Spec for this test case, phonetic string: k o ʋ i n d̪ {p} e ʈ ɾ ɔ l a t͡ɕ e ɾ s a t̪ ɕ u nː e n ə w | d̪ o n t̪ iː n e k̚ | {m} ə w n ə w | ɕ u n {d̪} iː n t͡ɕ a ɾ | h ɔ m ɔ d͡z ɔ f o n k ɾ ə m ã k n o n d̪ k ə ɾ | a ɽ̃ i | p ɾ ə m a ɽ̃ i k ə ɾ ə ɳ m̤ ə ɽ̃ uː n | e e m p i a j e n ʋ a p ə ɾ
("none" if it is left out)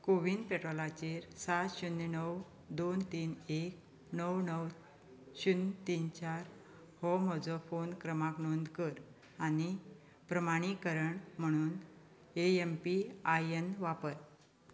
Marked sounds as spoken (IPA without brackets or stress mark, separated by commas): p, n, t̪